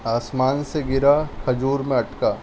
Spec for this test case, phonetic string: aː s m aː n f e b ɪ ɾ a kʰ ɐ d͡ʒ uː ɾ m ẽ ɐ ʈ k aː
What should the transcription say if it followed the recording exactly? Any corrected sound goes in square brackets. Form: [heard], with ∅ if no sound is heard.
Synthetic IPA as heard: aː s m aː n [s] e [ɡ] ɪ ɾ a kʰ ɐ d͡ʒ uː ɾ m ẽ ɐ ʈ k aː